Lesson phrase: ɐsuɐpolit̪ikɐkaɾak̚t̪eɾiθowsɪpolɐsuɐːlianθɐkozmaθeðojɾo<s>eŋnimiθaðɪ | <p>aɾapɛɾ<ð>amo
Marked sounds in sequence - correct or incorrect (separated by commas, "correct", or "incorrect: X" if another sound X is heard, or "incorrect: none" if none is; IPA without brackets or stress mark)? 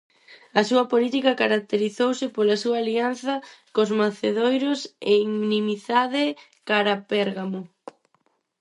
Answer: correct, incorrect: k, incorrect: ɣ